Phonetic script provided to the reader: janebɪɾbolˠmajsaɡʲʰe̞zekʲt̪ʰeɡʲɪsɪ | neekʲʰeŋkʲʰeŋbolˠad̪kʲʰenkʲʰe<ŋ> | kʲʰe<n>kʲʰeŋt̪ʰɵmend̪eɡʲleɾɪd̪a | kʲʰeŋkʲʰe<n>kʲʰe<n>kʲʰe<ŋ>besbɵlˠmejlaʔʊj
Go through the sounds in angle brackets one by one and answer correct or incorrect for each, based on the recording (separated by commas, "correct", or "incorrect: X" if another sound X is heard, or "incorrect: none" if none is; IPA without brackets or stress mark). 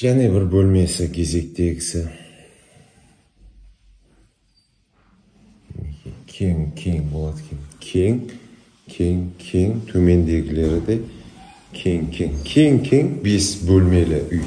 correct, incorrect: ŋ, incorrect: ŋ, incorrect: ŋ, correct